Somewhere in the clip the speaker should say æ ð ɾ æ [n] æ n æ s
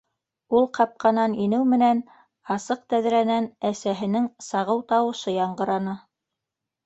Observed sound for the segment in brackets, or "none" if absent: n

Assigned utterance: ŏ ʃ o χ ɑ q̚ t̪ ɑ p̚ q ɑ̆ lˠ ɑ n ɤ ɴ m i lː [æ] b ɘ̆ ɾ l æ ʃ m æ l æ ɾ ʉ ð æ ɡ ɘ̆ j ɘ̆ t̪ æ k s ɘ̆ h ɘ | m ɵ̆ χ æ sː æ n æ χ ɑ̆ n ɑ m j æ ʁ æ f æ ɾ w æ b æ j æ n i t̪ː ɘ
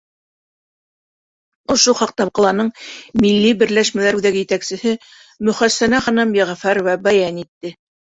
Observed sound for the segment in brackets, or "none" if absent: i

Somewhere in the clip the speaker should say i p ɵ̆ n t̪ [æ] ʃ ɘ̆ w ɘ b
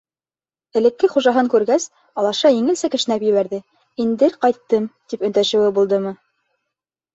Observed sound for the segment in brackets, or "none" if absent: æ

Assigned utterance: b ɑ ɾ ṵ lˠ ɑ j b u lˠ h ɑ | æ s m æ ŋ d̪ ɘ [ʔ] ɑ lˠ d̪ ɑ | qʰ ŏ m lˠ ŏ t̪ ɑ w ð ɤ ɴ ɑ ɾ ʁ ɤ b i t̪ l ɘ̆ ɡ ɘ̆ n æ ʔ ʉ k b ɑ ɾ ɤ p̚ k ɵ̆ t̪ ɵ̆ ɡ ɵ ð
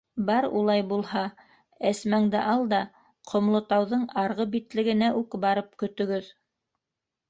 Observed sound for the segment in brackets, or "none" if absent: ʔ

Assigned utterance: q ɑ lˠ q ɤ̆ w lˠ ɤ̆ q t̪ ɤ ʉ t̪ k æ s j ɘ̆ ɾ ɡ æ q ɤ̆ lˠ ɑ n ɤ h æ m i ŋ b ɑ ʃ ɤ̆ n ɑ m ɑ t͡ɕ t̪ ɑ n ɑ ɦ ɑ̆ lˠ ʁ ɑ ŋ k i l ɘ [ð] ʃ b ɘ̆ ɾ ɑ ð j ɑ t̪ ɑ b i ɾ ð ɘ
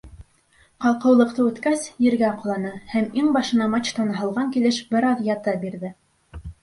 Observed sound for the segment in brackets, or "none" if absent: none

